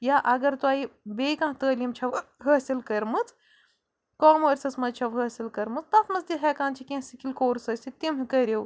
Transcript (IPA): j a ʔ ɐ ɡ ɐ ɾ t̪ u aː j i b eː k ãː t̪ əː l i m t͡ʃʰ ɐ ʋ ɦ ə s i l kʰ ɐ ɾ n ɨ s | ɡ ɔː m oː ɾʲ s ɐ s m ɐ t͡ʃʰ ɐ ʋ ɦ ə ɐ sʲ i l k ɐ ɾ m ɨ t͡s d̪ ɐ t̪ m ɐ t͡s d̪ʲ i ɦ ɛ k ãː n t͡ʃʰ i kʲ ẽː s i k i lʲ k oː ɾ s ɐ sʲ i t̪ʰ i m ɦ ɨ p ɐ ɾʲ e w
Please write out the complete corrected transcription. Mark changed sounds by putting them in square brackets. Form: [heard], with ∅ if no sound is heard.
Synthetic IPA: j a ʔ ɐ ɡ ɐ ɾ t̪ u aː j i b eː k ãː t̪ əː l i m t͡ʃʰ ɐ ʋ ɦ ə s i l [k] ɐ ɾ [m] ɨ [t͡s] | [k] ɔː m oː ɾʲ s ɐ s m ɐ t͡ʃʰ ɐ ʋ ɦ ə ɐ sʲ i l k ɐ ɾ m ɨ t͡s [t̪] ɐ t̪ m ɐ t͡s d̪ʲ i ɦ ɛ k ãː n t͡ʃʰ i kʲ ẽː s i k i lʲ k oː ɾ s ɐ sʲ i [t̪] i m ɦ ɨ [k] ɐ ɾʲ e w